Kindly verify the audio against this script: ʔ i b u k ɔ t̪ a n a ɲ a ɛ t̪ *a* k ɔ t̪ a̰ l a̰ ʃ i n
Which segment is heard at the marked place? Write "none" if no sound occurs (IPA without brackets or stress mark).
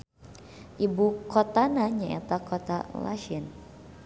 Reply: a